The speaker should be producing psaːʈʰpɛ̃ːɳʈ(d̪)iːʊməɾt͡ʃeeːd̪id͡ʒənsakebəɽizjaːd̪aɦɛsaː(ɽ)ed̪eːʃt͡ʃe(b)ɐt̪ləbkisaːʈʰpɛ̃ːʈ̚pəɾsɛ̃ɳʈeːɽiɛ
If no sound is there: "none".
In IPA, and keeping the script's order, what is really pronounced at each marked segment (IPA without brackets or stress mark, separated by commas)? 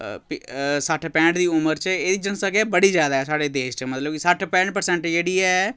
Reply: d̪, ɽ, m